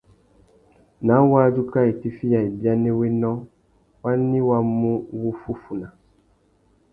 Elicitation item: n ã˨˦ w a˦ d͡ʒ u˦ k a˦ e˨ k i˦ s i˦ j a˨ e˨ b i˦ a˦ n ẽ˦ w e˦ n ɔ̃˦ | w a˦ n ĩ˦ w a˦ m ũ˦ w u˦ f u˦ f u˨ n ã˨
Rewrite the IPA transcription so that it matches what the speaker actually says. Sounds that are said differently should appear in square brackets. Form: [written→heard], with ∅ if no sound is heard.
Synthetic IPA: n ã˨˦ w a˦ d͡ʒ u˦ k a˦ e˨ [k→t] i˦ [s→f] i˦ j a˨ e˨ b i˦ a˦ n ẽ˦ w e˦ n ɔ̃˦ | w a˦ n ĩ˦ w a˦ m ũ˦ w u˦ f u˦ f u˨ n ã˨